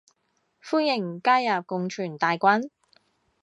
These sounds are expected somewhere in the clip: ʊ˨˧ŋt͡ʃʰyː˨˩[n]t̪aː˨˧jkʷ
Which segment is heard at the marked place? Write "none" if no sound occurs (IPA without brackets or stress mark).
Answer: n